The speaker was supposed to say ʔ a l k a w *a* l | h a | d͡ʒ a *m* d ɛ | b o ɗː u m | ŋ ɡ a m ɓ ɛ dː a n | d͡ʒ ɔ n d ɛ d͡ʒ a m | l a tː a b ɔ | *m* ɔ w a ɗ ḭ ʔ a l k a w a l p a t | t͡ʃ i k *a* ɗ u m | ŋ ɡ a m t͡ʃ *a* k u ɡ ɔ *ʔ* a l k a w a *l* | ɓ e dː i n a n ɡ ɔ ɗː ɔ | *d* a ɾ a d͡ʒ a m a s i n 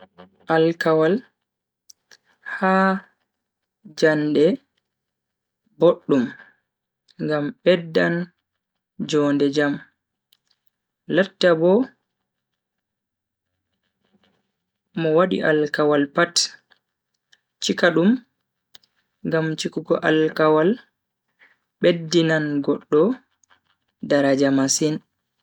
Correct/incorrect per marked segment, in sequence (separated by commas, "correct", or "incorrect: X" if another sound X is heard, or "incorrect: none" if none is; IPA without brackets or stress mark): correct, incorrect: n, correct, correct, incorrect: i, correct, correct, correct